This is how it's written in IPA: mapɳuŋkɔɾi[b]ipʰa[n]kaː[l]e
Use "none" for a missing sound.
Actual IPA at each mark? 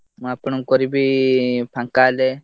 b, ŋ, l

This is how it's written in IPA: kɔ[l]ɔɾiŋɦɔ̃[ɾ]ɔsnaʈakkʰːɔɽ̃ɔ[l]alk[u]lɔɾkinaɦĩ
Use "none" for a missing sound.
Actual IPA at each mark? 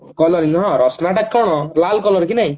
l, ɾ, l, ɔ

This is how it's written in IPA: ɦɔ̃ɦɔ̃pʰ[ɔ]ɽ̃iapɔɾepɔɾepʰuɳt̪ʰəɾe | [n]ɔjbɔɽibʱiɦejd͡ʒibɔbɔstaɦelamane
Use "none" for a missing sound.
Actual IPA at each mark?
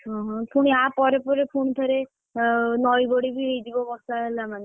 u, n

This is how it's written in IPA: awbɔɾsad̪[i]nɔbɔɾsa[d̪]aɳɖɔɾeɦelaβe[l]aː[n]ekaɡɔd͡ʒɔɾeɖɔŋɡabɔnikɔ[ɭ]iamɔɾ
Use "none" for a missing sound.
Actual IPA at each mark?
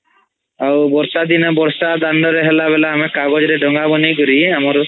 i, d̪, l, m, ɾ

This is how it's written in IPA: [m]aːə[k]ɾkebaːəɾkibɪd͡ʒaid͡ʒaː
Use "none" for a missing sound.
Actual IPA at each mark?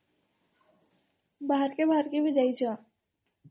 b, none

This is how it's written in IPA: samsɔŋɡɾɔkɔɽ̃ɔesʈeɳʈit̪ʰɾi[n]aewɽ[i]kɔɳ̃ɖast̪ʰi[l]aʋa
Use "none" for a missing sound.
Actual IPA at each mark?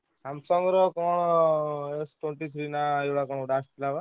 n, a, l

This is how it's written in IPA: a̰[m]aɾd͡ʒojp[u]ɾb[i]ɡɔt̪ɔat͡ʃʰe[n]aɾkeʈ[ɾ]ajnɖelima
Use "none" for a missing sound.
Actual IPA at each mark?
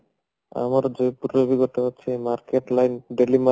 m, u, i, m, l

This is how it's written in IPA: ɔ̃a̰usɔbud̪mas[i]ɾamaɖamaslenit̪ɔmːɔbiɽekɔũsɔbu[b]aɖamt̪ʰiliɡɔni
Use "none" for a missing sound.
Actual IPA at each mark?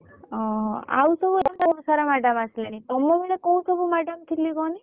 a, m

